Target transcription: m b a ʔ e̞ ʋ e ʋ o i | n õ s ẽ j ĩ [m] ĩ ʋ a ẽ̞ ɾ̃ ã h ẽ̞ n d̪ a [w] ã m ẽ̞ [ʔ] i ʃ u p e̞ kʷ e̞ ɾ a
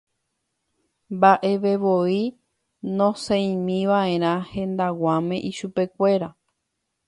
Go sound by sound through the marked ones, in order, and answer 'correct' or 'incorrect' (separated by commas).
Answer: correct, correct, correct